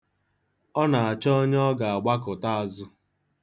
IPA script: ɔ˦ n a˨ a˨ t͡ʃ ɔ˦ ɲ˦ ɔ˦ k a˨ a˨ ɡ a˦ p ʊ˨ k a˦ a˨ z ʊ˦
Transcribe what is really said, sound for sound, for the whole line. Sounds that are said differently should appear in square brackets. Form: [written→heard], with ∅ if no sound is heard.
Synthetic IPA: ɔ˦ n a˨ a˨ t͡ʃ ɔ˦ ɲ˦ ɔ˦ [k→ɡ] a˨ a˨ [ɡ→ɡ͡b] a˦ [p→k] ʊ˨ [k→t] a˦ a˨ z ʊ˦